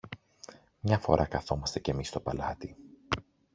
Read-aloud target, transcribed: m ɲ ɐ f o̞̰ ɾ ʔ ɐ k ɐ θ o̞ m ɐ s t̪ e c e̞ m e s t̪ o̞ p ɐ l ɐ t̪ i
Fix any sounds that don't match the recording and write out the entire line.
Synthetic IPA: m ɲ ɐ f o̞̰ ɾ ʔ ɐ k ɐ θ o̞ m ɐ s t̪ e c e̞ m i s t̪ o̞ p ɐ l ɐ t̪ i